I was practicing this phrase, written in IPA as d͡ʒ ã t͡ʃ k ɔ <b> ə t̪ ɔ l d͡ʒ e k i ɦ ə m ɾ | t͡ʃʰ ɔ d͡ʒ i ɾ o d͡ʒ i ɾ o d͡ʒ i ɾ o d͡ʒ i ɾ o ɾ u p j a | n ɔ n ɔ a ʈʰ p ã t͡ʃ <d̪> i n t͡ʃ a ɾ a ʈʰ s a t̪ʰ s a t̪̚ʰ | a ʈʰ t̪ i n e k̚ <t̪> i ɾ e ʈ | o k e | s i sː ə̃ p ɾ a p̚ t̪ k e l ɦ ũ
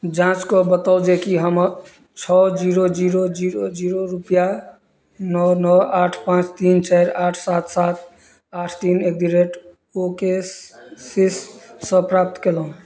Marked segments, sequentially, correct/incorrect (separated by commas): correct, incorrect, incorrect